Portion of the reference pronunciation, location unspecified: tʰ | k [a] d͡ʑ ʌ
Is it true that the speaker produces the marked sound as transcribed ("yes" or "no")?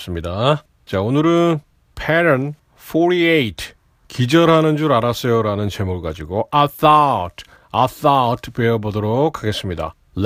no